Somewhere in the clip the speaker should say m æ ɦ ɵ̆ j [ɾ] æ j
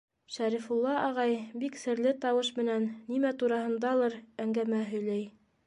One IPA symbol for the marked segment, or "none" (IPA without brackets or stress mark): l